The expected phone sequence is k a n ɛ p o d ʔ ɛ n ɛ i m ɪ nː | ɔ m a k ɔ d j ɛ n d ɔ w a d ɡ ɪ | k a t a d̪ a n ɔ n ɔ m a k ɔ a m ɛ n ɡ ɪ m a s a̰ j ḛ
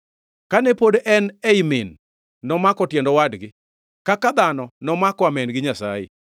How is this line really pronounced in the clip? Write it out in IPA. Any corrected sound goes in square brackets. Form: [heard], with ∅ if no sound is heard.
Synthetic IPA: k a n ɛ p o d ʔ ɛ n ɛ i m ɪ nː | ɔ m a k ɔ [t] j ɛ n d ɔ w a d ɡ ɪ | k a [k] a d̪ a n ɔ n ɔ m a k ɔ a m ɛ n ɡ ɪ [ɲ] a s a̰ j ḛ